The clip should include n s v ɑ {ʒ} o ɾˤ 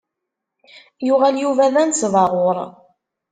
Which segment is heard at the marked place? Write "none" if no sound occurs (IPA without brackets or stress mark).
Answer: ʁ